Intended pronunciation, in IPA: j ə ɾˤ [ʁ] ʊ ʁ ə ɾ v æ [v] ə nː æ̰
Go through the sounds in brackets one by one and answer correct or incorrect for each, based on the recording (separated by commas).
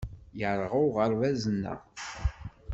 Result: correct, incorrect